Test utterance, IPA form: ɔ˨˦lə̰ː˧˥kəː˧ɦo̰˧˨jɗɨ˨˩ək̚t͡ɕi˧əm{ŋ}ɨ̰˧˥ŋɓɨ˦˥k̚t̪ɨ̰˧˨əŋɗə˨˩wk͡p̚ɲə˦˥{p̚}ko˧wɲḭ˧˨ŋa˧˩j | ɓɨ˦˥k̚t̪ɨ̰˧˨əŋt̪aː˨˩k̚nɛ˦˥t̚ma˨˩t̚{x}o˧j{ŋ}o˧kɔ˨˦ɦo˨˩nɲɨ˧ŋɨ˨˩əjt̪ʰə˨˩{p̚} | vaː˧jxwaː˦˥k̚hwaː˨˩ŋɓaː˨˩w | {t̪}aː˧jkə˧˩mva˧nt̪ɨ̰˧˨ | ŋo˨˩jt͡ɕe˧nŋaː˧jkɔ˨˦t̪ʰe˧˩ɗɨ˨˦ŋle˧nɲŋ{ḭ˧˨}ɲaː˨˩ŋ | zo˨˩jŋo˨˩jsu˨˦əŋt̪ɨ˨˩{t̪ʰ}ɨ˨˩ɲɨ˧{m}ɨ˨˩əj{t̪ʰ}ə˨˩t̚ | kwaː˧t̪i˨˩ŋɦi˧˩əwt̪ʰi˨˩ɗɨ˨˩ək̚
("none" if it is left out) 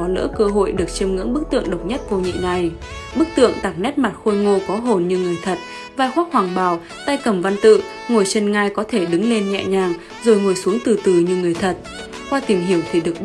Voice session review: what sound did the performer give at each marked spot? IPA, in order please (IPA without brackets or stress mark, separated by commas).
ŋ, t̚, x, ŋ, t̚, t̪, ɛ̰˧˨, t̪, ŋ, t̪ʰ